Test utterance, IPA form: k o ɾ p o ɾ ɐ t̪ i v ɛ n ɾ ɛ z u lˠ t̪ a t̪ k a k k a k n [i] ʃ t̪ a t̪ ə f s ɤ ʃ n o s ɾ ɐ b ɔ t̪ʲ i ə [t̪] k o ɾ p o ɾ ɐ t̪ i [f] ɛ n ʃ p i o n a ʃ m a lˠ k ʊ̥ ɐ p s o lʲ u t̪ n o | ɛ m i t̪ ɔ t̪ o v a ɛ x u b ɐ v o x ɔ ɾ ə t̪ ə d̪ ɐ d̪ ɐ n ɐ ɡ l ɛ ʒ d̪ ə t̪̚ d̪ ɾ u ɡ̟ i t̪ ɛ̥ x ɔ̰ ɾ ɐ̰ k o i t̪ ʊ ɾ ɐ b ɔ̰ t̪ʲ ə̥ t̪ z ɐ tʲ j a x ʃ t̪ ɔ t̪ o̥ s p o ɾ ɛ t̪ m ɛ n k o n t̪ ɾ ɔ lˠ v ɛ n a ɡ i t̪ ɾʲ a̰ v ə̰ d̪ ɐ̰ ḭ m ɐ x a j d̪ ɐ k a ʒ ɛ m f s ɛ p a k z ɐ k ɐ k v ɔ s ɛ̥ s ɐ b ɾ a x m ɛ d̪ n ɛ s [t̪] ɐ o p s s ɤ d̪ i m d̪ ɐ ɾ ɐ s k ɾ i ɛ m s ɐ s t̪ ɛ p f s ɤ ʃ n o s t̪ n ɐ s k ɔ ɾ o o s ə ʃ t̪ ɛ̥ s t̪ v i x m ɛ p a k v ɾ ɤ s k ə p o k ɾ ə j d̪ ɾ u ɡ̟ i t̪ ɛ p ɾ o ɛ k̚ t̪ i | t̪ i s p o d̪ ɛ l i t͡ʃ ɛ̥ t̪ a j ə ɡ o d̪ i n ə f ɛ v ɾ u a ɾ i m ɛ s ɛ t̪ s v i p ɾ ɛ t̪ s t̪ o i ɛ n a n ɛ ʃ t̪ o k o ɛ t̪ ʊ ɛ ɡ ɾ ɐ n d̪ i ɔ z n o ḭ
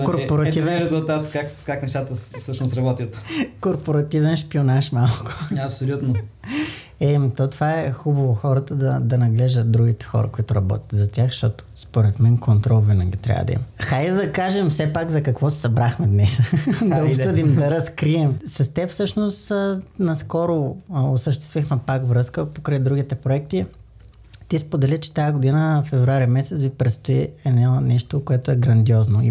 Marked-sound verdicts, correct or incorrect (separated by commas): incorrect, correct, incorrect, incorrect